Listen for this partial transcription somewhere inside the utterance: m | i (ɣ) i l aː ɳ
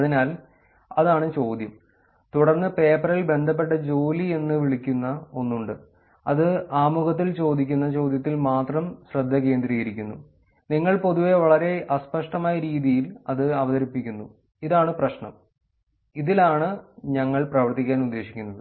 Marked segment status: incorrect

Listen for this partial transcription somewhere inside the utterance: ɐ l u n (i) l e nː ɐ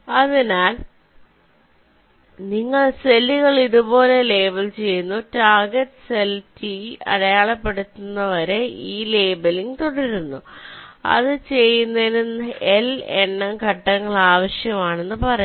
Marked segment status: incorrect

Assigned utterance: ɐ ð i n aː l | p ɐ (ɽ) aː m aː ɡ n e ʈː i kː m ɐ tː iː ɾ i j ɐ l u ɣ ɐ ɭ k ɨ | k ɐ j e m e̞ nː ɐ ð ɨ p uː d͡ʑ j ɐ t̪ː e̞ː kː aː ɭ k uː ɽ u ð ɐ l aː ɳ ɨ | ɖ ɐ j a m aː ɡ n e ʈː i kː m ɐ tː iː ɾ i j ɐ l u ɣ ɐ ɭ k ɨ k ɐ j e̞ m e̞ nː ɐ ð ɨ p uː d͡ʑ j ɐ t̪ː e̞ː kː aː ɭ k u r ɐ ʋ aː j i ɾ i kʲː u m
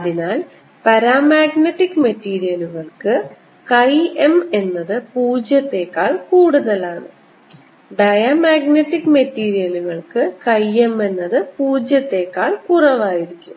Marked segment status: incorrect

